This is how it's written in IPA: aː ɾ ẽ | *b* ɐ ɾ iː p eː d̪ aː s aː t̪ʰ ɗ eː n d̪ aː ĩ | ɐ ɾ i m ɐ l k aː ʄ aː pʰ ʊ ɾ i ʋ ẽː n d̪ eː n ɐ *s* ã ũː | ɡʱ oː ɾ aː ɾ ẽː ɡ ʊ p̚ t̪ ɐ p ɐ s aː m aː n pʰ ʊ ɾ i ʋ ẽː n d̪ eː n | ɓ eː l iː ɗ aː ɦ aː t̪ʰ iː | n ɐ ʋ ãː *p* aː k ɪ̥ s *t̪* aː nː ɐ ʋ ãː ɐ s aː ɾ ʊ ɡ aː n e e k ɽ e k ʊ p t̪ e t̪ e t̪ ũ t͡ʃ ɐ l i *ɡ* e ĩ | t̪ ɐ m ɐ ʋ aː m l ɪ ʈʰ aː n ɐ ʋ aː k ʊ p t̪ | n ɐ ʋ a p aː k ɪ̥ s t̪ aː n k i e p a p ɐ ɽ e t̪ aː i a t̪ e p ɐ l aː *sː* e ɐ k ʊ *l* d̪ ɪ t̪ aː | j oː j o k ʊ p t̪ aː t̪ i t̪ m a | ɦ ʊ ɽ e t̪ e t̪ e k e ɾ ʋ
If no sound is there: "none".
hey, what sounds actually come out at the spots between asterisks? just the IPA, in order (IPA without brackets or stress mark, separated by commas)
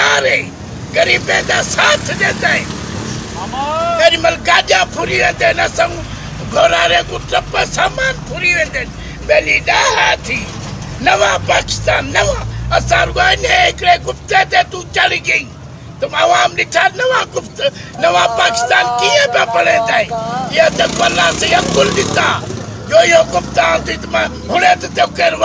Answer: ɡ, s, p, t̪, ɡ, s, l